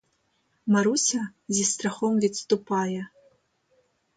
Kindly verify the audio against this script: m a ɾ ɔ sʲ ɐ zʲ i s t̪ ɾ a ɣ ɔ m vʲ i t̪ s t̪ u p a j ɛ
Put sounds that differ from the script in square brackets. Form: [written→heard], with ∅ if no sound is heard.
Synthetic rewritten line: m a ɾ [ɔ→u] sʲ ɐ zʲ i s t̪ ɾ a [ɣ→x] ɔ m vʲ i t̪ s t̪ u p a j ɛ